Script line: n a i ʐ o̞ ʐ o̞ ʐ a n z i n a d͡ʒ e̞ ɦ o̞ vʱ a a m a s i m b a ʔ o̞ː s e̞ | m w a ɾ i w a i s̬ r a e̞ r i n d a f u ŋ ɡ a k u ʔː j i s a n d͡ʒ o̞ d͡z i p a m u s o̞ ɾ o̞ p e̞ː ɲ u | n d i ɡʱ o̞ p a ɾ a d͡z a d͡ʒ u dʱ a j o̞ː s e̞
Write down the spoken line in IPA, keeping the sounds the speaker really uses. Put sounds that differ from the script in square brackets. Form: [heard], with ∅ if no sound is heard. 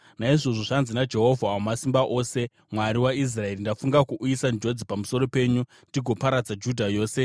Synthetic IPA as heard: n a i ʐ o̞ ʐ o̞ ʐ a n z i n a d͡ʒ e̞ ɦ o̞ vʱ a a m a s i m b a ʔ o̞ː s e̞ | m w a ɾ i w a i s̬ r a e̞ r i n d a f u ŋ ɡ a k u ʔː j i s a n d͡ʒ o̞ d͡z i p a m u s o̞ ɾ o̞ p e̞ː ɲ u | n d i ɡʱ o̞ p a ɾ a d͡z a d͡ʒ u dʱ a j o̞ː s e̞

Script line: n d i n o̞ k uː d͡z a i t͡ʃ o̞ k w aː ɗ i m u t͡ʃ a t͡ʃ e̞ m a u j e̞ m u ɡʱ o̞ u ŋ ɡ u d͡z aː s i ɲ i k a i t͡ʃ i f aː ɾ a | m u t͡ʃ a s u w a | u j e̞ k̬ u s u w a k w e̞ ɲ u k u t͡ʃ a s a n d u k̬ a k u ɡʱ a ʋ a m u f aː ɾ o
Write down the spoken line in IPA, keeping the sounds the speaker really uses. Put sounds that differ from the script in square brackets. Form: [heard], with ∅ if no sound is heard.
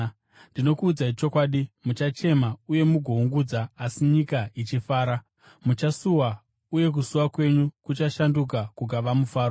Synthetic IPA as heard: n d i n o̞ k uː d͡z a i t͡ʃ o̞ k w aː ɗ i m u t͡ʃ a t͡ʃ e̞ m a u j e̞ m u ɡʱ o̞ u ŋ ɡ u d͡z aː s i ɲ i k a i t͡ʃ i f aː ɾ a | m u t͡ʃ a s u w a | u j e̞ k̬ u s u w a k w e̞ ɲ u k u t͡ʃ a [ʃ] a n d u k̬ a k u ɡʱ a ʋ a m u f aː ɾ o

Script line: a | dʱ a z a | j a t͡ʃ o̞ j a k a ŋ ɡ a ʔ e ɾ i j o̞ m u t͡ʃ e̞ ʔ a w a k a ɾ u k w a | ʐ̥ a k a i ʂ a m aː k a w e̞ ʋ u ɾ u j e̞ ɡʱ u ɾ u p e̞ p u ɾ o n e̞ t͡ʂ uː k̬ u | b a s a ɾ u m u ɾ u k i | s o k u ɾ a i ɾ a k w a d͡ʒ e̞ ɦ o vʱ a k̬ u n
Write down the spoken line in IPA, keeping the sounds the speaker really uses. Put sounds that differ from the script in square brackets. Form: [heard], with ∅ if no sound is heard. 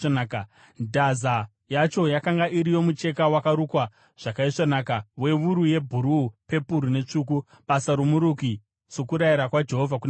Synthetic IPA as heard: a | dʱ a z a | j a t͡ʃ o̞ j a k a ŋ ɡ a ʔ [i] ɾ i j o̞ m u t͡ʃ e̞ [k] a w a k a ɾ u k w a | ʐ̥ a k a i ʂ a [n] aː k a w e̞ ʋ u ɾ u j e̞ [bʱ] u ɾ u p e̞ p u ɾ [u] n e̞ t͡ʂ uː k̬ u | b a s a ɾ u m u ɾ u k i | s o k u ɾ a i ɾ a k w a d͡ʒ e̞ ɦ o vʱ a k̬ u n

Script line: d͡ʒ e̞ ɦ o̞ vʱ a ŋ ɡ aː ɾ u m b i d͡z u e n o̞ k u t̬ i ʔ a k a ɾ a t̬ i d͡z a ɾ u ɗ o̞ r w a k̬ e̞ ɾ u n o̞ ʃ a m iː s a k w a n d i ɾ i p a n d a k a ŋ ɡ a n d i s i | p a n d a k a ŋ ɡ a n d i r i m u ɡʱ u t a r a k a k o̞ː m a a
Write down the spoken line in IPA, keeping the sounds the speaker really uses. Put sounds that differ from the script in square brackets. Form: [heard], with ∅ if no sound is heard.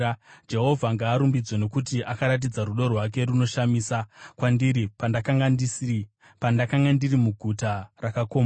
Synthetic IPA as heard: d͡ʒ e̞ ɦ o̞ vʱ a ŋ ɡ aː ɾ u m b i d͡z [w] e n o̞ k u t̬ i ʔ a k a ɾ a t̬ i d͡z a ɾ u ɗ o̞ r w a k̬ e̞ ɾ u n o̞ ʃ a m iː s a k w a n d i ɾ i p a n d a k a ŋ ɡ a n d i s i | p a n d a k a ŋ ɡ a n d i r i m u ɡʱ u t a r a k a k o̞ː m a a

